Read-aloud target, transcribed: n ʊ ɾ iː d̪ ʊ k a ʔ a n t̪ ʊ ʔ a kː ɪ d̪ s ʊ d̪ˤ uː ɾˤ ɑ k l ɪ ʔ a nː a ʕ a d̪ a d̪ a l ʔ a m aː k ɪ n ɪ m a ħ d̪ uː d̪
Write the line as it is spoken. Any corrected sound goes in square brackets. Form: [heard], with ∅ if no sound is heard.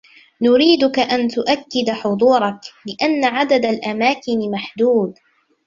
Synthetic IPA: n ʊ ɾ iː d̪ ʊ k a ʔ a n t̪ ʊ ʔ a kː ɪ d̪ [ħ] ʊ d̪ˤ uː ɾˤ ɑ k l ɪ ʔ a nː a ʕ a d̪ a d̪ a l ʔ a m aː k ɪ n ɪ m a ħ d̪ uː d̪